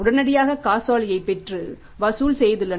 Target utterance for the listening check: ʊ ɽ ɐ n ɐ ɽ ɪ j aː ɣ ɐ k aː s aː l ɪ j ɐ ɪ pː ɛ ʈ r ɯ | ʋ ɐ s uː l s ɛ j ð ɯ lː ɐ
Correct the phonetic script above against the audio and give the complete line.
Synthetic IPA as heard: ʊ ɽ ɐ n ɐ ɽ ɪ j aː ɣ ɐ k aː s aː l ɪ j ɐ ɪ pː ɛ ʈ r ɯ | ʋ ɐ s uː l s ɛ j ð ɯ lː ɐ

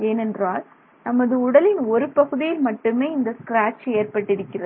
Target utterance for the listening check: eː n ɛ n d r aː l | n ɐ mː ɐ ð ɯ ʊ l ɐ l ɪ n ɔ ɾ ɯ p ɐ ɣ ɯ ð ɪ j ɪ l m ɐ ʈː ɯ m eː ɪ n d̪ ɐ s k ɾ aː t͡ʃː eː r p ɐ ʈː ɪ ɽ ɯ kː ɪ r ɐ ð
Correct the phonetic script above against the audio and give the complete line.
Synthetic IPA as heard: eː n ɛ n d r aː l | n ɐ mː ɐ ð ɯ ʊ ɽ ɐ l ɪ n ɔ ɾ ɯ p ɐ ɣ ɯ ð ɪ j ɪ l m ɐ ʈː ɯ m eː ɪ n d̪ ɐ s k ɾ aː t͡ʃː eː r p ɐ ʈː ɪ ɽ ɯ kː ɪ r ɐ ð

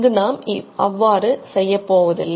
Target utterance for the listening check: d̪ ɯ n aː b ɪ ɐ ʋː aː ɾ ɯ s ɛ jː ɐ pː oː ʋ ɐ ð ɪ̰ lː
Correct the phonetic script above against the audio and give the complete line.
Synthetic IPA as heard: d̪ ɯ n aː m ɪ ɐ ʋː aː ɾ ɯ s ɛ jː ɐ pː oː ʋ ɐ ð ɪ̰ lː

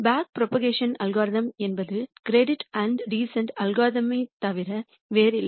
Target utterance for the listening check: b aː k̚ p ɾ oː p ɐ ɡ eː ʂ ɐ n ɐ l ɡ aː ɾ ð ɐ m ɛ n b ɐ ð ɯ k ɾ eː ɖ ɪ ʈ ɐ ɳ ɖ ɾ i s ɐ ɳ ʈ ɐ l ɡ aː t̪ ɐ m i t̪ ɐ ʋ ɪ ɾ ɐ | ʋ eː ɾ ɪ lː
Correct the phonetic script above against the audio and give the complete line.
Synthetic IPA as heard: b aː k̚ p ɾ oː p ɐ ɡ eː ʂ ɐ n ɐ l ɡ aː ɾ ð ɐ m ɛ n b ɐ ð ɯ k ɾ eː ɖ ɪ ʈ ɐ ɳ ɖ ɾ iː s ɐ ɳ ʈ ɐ l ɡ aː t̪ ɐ m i t̪ ɐ ʋ ɪ ɾ ɐ | ʋ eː ɾ ɪ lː

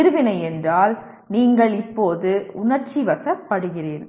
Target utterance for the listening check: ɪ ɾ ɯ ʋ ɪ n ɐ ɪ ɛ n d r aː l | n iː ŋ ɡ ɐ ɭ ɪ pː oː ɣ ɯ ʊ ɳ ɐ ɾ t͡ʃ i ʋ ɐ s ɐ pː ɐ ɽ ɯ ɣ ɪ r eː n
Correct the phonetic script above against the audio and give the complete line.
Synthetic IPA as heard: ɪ ɾ ɯ ʋ ɪ n ɐ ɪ ɛ n d r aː l | n iː ŋ ɡ ɐ ɭ ɪ pː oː ð ɯ ʊ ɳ ɐ ɾ t͡ʃ i ʋ ɐ s ɐ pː ɐ ɽ ɯ ɣ ɪ r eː n

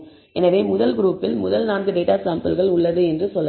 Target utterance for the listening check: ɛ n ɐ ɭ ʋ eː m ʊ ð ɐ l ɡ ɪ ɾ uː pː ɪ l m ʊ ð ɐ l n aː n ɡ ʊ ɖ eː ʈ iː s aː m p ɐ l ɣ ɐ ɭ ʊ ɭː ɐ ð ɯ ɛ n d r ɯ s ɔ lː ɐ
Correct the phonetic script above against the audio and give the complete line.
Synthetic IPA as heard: ɛ n ɐ ʋ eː m ʊ ð ɐ l ɡ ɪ ɾ uː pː ɪ l m ʊ ð ɐ l n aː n ɡ ɯ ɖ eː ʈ aː s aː m p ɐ l ɣ ɐ ɭ ʊ ɭː ɐ ð ɯ ɛ n d r ɯ s ɔ lː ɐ

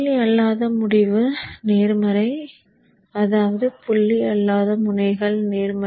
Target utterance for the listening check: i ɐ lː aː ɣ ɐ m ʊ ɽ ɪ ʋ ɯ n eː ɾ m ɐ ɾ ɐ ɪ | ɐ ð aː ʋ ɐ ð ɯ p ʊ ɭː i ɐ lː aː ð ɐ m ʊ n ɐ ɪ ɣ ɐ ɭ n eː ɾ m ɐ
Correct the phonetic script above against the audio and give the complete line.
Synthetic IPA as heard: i ɐ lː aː ð ɐ m ʊ ɽ ɪ ʋ ɯ n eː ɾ m ɐ ɾ ɐ ɪ | ɐ ð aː ʋ ɐ ð ɯ p ʊ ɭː i ɐ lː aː ð ɐ m ʊ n ɐ ɪ ɣ ɐ ɭ n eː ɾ m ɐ

